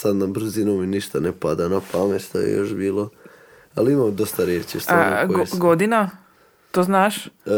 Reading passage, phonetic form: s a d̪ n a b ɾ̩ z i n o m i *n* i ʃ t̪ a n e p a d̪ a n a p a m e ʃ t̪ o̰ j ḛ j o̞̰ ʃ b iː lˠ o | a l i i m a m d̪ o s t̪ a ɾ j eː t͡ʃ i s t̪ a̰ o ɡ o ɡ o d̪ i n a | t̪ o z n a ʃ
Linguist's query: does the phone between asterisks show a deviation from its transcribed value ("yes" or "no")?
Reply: no